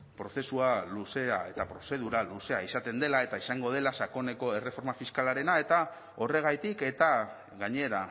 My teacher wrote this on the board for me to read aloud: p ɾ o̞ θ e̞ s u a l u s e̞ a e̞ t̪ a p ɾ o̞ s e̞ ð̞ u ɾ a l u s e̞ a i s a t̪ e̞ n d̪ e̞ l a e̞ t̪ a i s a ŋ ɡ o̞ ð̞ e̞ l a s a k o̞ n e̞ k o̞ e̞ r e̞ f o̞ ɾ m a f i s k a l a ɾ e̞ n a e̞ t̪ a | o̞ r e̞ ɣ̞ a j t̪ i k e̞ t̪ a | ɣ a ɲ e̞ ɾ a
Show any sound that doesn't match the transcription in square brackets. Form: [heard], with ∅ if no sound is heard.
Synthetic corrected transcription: p ɾ o̞ θ e̞ s u a l u s e̞ a e̞ t̪ a p ɾ o̞ s e̞ ð̞ u ɾ a l u s e̞ a i s a t̪ e̞ n d̪ e̞ l a e̞ t̪ a i s a ŋ ɡ o̞ ð̞ e̞ l a s a k o̞ n e̞ k o̞ e̞ r e̞ f o̞ ɾ m a f i s k a l a ɾ e̞ n a e̞ t̪ a | o̞ r e̞ ɣ̞ a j t̪ i k e̞ t̪ a | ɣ a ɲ e̞ ɾ a